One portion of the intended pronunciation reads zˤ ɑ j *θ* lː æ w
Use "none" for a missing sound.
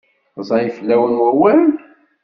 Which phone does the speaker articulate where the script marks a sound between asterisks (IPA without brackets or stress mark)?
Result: f